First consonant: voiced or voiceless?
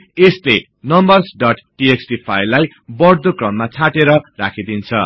voiceless